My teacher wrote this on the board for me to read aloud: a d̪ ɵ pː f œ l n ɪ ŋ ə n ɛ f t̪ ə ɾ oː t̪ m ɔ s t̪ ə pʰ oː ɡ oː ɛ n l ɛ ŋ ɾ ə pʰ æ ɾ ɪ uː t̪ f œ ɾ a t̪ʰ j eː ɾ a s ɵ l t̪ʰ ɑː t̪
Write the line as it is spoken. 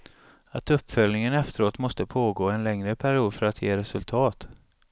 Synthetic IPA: a t̪ ɵ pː f œ l n ɪ ŋ ə n ɛ f t̪ ə ɾ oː t̪ m ɔ s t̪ ə pʰ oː ɡ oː ɛ n l ɛ ŋ ɾ ə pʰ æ ɾ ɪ uː d̪ f œ ɾ a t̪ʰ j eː ɾ ɛ s ɵ l t̪ʰ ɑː t̪